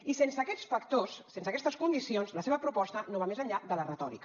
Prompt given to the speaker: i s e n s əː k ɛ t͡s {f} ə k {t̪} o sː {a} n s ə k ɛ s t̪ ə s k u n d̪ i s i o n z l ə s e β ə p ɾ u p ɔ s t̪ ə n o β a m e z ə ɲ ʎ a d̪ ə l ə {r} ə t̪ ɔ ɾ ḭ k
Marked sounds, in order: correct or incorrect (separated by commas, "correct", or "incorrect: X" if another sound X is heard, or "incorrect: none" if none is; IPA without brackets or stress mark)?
correct, correct, incorrect: e, correct